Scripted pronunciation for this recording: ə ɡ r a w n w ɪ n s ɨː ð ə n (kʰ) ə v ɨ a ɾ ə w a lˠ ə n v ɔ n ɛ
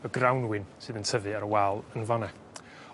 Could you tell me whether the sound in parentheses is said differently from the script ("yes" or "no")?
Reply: yes